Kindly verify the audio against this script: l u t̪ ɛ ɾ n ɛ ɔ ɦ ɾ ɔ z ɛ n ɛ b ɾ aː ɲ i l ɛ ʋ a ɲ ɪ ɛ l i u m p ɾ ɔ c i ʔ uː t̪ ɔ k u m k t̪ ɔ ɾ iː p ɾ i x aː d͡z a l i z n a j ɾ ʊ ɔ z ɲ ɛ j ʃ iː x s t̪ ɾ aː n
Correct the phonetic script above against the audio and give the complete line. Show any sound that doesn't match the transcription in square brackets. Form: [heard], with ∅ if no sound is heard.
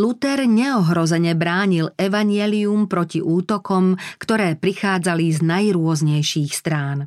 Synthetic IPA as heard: l u t̪ ɛ ɾ [ɲ] ɛ ɔ ɦ ɾ ɔ z ɛ [ɲ] ɛ b ɾ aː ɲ i l ɛ ʋ a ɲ ɪ ɛ l i u m p ɾ ɔ c i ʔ uː t̪ ɔ k [ɔ] m k t̪ ɔ ɾ [ɛː] p ɾ i x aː d͡z a l i z n a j ɾ ʊ ɔ z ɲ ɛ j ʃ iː x s t̪ ɾ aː n